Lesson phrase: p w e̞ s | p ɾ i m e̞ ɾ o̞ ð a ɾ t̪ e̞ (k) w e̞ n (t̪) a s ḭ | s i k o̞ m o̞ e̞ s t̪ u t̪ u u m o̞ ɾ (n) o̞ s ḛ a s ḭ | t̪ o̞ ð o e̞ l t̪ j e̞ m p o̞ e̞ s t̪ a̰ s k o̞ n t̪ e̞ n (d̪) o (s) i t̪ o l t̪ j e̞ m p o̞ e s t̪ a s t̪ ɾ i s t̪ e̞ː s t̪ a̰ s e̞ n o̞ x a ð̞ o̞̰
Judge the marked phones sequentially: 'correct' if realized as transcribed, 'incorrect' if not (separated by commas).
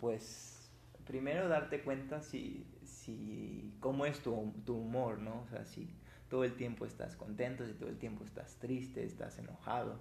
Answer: correct, correct, correct, incorrect, correct